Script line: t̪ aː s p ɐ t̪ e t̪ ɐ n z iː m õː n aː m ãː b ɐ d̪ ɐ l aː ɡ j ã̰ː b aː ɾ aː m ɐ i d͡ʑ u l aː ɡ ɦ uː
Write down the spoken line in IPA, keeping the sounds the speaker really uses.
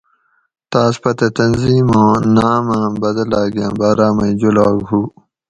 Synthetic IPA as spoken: t̪ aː s p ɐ t̪ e t̪ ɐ n z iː m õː n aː m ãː b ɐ d̪ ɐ l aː ɡ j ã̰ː b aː ɾ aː m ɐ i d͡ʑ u l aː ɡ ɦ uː